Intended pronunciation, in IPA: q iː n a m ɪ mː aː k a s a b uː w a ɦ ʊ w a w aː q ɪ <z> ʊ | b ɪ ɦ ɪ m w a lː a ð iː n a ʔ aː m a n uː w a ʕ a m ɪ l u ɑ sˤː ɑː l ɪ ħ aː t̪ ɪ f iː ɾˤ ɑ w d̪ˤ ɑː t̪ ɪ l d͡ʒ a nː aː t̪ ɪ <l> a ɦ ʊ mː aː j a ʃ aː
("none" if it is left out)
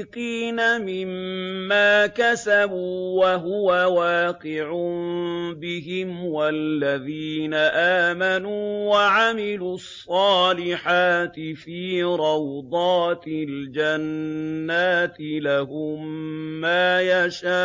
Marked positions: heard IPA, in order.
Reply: ʕ, l

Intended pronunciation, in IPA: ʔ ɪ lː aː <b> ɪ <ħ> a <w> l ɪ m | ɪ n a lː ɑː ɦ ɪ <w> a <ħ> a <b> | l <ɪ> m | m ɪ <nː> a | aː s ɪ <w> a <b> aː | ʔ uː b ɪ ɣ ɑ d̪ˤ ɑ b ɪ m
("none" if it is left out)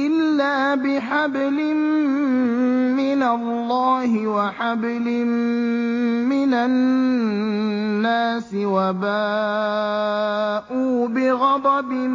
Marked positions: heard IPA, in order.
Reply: b, ħ, b, w, ħ, b, ɪ, n, w, b

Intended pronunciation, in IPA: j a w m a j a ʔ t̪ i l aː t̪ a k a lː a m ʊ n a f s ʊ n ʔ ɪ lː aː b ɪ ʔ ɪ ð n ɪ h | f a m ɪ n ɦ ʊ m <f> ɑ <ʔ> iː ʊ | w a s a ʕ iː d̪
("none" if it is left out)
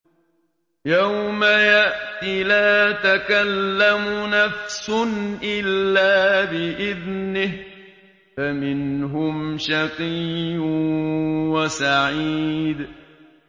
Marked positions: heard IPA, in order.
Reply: ʃ, q

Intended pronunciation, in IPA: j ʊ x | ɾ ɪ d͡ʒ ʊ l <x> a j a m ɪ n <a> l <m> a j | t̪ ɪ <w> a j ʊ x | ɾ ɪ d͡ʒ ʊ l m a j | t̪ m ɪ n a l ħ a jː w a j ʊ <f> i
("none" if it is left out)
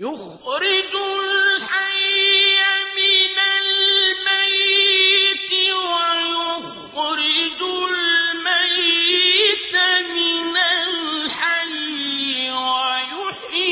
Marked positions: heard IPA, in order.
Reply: ħ, a, m, w, ħ

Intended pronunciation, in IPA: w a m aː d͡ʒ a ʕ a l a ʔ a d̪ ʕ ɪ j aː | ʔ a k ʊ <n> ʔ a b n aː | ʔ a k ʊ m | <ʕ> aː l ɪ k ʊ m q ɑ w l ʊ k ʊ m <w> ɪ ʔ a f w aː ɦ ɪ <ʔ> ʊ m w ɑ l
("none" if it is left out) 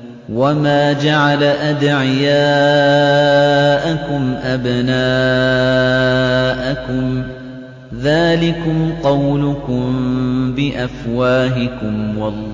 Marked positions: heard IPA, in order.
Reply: m, ð, b, k

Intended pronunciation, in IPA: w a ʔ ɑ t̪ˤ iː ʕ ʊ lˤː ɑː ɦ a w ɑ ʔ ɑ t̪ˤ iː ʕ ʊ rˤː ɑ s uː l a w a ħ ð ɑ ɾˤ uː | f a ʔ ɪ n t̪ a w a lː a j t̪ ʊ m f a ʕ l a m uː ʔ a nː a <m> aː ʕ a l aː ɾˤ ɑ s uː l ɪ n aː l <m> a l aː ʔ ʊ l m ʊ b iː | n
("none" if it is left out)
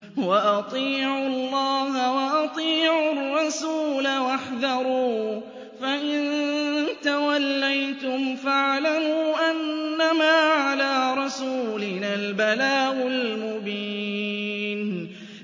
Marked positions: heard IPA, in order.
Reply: m, b

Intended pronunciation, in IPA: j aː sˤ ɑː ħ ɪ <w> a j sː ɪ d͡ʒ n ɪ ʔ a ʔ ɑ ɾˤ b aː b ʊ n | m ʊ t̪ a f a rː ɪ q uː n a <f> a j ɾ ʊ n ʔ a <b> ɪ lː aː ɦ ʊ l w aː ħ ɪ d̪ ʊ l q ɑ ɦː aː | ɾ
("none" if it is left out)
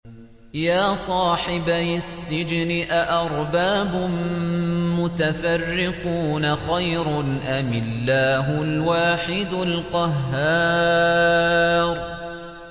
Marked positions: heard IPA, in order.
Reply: b, x, m

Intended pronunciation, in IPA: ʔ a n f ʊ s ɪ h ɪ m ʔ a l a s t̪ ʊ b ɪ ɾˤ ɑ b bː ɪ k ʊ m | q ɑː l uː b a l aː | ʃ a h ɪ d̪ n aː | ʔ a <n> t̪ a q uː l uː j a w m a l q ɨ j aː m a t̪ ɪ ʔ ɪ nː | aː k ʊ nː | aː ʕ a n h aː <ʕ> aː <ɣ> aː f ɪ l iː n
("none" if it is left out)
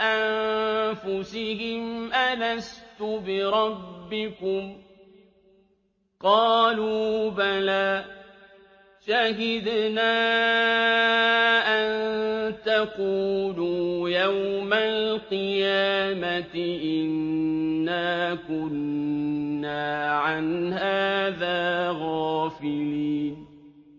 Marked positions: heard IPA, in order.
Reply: n, ð, ɣ

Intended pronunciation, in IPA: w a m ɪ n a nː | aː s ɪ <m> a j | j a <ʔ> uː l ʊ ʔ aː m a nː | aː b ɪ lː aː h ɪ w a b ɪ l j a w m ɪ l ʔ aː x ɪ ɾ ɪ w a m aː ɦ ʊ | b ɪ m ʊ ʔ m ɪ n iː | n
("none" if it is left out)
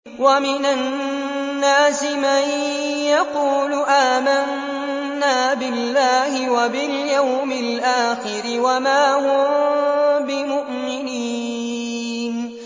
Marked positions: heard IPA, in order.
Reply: m, q

